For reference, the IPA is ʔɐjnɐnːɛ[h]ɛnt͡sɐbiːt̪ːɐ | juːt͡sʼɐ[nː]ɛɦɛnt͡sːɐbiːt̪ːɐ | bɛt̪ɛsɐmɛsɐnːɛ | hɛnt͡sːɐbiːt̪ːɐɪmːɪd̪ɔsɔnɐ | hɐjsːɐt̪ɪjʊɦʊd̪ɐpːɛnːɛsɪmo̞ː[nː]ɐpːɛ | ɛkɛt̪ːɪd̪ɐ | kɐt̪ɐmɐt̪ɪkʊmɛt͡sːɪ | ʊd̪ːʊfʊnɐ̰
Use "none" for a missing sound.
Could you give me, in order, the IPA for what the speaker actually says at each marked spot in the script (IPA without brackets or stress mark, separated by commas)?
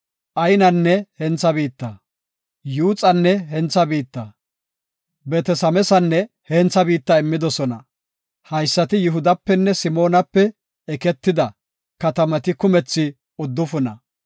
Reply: h, nː, n